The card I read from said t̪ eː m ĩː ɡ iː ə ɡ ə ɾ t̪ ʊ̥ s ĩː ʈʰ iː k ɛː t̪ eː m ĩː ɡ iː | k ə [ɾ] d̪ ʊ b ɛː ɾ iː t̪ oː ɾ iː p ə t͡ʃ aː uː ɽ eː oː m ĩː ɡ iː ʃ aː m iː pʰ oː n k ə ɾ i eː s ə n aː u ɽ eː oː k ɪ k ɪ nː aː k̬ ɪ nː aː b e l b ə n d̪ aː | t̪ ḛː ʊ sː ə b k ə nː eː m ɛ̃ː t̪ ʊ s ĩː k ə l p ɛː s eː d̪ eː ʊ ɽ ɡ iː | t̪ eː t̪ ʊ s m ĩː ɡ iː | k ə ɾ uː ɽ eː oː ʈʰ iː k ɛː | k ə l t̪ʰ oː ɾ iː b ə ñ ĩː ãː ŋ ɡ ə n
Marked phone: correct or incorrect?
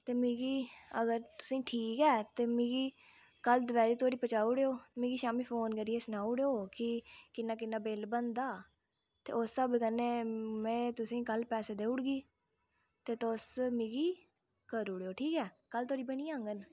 incorrect: l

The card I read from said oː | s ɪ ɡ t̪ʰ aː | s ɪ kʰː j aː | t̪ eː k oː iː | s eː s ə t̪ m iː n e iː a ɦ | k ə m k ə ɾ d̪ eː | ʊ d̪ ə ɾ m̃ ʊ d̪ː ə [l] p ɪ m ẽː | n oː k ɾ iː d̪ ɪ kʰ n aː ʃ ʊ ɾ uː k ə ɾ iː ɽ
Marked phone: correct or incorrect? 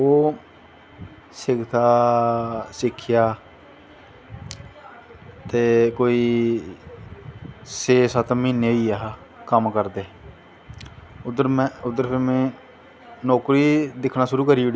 incorrect: ɾ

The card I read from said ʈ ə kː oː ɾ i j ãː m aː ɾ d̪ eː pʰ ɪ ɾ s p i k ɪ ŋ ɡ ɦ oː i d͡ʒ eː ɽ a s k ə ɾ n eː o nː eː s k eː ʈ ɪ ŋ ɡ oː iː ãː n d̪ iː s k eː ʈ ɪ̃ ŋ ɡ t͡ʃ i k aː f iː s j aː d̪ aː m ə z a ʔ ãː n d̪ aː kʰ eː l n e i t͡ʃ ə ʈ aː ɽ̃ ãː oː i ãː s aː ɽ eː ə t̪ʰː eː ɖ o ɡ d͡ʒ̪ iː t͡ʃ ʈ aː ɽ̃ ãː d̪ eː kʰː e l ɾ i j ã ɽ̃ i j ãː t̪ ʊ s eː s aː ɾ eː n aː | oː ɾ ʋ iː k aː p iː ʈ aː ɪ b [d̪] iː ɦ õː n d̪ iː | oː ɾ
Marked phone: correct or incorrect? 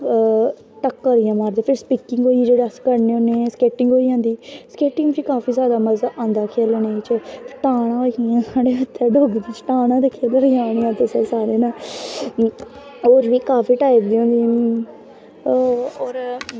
correct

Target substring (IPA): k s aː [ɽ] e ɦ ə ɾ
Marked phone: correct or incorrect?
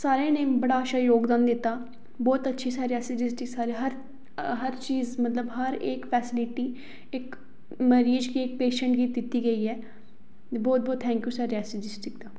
incorrect: ɾ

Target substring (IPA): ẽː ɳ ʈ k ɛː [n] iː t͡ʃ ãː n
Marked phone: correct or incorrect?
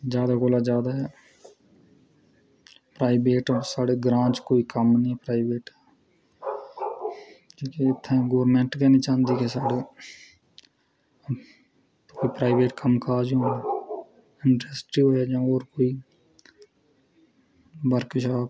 correct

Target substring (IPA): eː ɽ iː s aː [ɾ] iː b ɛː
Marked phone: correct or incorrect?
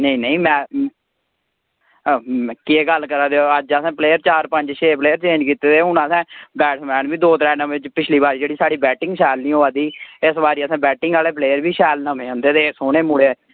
incorrect: ɽ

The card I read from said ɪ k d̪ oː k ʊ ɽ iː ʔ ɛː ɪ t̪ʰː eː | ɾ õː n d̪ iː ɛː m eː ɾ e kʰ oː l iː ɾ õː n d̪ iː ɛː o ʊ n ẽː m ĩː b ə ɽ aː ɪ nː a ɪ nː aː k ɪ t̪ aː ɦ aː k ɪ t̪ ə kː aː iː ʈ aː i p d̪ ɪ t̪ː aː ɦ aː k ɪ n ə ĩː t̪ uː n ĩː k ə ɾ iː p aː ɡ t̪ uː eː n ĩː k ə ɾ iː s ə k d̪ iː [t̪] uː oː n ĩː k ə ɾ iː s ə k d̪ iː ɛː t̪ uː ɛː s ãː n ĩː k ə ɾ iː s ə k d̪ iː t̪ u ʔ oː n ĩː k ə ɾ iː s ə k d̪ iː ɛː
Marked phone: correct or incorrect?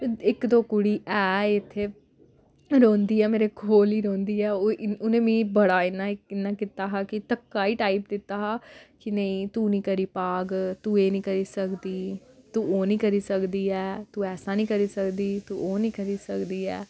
correct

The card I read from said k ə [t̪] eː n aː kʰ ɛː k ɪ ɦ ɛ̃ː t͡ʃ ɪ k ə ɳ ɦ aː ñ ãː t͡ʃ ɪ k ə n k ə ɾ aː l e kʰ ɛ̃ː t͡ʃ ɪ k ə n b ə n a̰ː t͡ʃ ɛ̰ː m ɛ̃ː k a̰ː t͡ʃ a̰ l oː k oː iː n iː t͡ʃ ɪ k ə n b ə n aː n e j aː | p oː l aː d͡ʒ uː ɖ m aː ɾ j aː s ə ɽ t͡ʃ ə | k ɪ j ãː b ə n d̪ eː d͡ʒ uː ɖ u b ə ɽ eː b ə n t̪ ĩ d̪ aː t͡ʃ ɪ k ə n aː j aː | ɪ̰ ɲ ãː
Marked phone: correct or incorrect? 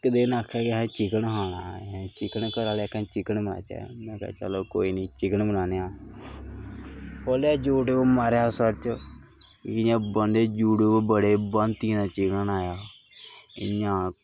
incorrect: d̪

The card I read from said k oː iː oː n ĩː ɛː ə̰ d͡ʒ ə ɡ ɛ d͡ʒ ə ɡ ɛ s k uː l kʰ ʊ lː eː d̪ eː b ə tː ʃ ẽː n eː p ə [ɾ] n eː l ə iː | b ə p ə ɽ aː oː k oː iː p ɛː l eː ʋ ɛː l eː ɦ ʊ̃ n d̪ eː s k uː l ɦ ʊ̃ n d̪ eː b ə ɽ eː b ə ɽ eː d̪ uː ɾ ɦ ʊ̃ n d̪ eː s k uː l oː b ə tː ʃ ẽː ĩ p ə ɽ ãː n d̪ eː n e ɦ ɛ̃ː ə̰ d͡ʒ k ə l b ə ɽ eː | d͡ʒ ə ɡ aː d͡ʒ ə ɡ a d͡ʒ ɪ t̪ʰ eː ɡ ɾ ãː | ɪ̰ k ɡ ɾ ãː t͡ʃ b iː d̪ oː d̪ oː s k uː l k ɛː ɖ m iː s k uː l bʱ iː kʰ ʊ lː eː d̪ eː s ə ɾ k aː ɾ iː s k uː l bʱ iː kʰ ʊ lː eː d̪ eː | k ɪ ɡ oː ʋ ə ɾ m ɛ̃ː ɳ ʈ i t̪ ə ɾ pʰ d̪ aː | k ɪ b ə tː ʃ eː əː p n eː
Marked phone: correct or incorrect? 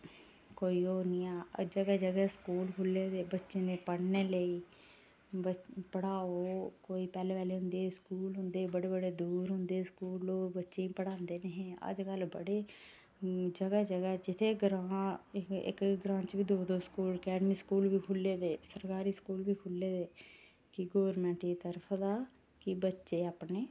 incorrect: ɽ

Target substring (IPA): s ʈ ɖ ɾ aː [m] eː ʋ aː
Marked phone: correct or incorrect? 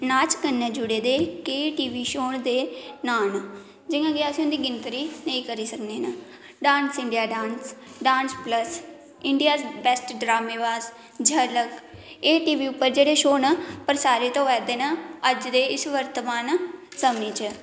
correct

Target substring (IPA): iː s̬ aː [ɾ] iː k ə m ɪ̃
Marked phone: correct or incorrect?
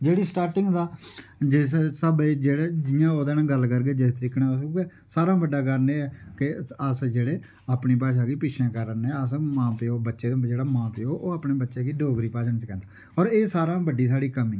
incorrect: ɽ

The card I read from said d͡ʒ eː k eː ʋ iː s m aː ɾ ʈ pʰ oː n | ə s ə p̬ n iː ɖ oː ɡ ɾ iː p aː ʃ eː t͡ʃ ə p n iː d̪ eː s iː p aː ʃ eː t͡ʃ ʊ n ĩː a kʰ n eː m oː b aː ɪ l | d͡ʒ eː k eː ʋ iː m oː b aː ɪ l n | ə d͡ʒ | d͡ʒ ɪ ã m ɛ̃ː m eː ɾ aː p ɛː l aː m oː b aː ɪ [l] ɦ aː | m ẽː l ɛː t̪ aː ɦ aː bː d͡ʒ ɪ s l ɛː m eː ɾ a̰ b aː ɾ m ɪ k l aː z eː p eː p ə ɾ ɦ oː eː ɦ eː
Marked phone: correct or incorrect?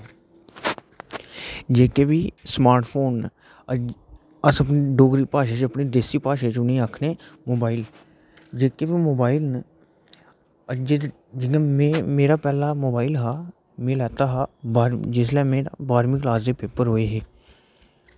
correct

